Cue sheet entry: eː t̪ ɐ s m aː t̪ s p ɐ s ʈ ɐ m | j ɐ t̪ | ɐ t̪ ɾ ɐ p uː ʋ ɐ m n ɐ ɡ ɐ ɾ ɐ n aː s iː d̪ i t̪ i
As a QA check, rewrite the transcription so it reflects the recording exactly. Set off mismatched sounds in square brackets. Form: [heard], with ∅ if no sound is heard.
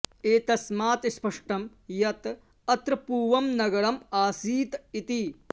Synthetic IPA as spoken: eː t̪ ɐ s m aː t̪ s p ɐ [ʂ] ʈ ɐ m | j ɐ t̪ | ɐ t̪ ɾ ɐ p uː ʋ ɐ m n ɐ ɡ ɐ ɾ ɐ [m] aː s iː [t̪] i t̪ i